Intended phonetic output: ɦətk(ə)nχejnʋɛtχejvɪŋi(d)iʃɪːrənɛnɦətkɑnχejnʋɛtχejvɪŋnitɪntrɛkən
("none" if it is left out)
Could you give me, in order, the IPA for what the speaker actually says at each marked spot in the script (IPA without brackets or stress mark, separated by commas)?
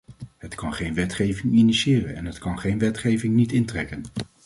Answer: ɑ, n